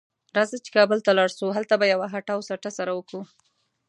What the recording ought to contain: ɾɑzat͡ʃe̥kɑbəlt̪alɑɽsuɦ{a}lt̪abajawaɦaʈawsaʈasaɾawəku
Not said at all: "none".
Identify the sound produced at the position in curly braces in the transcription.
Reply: a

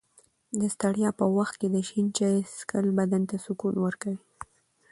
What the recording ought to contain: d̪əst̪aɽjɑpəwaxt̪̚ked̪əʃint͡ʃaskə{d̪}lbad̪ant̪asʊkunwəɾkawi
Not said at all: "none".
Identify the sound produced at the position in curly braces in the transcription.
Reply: none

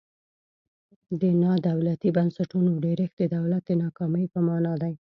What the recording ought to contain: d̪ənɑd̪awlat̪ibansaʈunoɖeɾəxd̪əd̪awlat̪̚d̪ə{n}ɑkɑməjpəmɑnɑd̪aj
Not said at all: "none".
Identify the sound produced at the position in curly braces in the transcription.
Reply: n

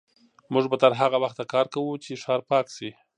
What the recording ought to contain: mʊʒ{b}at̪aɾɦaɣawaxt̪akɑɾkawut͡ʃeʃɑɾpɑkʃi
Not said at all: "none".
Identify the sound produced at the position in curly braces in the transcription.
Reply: b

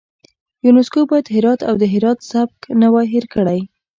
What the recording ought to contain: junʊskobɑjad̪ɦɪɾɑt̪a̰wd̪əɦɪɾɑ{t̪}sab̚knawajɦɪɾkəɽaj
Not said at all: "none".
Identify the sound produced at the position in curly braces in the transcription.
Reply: t̪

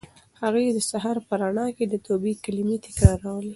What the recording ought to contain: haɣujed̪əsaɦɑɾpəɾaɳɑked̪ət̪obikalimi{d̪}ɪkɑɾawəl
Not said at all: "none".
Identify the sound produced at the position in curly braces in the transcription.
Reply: t̪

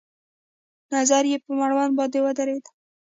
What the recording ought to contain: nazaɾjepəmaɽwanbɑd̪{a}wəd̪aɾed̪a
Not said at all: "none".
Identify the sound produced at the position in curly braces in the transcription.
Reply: e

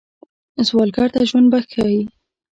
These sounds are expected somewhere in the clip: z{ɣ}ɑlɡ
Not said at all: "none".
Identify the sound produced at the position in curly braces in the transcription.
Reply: w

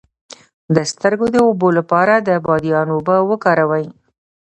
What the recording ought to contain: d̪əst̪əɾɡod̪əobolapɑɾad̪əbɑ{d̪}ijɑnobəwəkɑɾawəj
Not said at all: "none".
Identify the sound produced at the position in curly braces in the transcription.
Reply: d̪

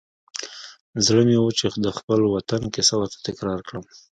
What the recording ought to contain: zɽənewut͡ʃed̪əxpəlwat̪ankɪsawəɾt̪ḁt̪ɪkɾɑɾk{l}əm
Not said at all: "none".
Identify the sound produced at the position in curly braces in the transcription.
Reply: ɽ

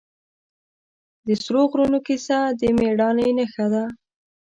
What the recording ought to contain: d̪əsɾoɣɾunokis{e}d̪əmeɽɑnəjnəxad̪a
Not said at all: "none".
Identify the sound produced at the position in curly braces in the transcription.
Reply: a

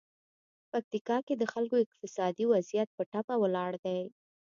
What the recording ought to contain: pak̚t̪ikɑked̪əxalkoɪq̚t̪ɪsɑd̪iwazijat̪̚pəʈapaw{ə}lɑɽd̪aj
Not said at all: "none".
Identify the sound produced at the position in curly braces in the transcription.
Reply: ə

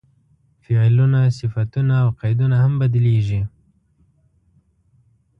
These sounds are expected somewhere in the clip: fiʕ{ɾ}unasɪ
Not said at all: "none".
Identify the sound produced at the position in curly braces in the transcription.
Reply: l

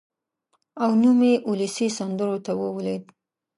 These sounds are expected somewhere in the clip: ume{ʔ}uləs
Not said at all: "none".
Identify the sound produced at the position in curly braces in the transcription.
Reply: ʔ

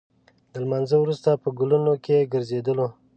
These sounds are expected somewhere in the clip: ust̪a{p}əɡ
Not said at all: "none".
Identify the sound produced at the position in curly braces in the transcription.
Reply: p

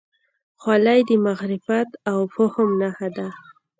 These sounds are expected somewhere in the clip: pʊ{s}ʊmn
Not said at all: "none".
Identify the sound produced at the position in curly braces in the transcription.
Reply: h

